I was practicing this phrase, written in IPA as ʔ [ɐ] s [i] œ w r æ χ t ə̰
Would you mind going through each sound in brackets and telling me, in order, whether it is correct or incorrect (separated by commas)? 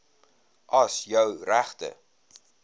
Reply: correct, incorrect